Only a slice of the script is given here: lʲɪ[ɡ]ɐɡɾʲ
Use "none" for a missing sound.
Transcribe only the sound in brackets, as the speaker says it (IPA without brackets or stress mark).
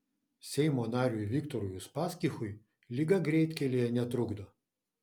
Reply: ɡ